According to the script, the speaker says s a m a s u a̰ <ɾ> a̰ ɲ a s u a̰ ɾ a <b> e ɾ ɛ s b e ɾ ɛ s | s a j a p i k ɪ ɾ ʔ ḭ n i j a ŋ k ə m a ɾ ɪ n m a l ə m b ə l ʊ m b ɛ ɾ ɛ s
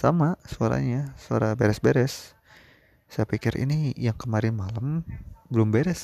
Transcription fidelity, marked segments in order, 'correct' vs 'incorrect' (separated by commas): correct, correct